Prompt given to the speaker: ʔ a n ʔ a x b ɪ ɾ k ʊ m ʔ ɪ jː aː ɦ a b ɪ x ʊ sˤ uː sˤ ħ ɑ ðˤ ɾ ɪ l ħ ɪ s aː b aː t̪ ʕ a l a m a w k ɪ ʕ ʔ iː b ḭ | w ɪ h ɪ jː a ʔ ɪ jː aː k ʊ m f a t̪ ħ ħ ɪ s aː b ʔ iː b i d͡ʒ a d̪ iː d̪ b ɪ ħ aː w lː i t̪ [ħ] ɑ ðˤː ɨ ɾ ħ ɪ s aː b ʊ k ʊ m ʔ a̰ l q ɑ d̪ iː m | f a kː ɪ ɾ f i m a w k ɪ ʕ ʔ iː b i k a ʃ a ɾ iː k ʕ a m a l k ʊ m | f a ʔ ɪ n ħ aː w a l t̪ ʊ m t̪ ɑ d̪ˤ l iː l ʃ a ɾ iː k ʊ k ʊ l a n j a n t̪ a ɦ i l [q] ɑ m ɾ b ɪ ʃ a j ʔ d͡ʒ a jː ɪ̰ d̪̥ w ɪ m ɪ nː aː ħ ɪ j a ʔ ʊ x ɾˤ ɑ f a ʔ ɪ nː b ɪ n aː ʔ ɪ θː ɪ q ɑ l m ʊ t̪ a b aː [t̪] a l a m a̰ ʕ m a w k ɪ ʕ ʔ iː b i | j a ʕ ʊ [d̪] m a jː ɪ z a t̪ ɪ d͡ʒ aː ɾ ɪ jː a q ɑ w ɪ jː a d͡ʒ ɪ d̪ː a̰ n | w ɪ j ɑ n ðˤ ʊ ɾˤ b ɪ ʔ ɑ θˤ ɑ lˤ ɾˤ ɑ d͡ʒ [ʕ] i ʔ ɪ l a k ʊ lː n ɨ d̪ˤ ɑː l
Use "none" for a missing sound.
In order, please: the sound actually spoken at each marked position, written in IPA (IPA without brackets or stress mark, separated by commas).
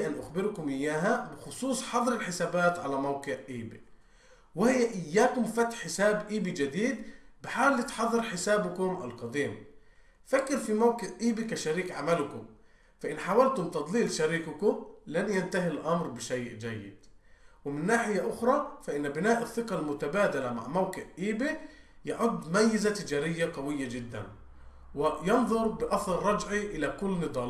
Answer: ħ, ʔ, d̪, d̪ː, ʕ